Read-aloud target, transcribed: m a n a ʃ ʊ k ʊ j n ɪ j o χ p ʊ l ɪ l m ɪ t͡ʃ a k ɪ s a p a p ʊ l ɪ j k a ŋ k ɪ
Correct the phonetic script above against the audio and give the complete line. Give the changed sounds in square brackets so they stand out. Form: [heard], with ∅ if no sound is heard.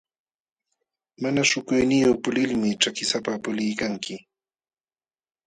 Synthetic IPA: m a n a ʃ ʊ k ʊ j n ɪ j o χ p ʊ l ɪ l m ɪ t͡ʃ a k ɪ s a p a p ʊ l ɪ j k a ŋ k ɪ